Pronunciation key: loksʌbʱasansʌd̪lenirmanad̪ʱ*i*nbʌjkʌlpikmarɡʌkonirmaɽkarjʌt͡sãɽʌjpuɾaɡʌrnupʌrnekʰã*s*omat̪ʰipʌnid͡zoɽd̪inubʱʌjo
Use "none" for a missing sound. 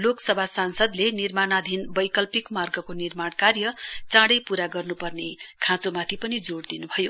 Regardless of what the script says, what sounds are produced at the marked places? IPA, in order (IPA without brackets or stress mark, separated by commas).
i, t͡s